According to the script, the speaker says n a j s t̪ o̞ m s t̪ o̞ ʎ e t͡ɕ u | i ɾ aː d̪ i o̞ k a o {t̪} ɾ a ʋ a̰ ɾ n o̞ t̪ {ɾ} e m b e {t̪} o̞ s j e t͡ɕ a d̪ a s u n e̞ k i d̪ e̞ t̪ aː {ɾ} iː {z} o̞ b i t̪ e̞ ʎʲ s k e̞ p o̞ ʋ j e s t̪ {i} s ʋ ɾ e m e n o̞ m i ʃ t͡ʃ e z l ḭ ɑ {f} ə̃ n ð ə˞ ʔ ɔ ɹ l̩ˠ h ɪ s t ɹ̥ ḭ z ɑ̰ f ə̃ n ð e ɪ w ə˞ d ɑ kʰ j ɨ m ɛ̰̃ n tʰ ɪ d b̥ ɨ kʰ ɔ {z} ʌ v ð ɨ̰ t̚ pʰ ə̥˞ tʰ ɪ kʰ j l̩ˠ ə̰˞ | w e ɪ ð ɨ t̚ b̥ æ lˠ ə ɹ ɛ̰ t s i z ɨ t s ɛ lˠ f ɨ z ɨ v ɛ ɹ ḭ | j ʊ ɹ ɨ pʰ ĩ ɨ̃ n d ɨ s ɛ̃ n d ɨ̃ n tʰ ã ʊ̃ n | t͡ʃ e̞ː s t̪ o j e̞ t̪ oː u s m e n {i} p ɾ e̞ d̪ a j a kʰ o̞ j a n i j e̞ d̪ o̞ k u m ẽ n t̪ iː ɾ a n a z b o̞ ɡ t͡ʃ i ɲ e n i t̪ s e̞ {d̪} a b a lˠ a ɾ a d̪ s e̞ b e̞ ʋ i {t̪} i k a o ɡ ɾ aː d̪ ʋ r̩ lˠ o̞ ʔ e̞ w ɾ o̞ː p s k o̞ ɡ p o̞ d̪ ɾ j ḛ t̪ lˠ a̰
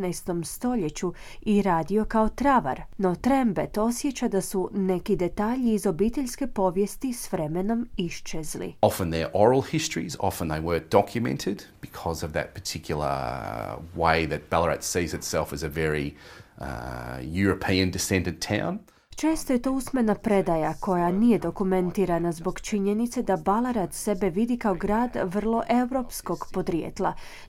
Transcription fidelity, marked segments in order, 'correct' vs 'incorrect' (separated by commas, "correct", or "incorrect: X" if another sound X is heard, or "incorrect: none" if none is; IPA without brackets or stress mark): correct, correct, correct, incorrect: ʎ, correct, correct, correct, correct, incorrect: a, correct, incorrect: d̪